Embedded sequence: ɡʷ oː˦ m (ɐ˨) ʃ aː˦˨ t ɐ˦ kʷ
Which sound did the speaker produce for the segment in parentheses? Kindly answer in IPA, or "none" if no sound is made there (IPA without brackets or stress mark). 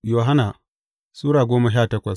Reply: a˨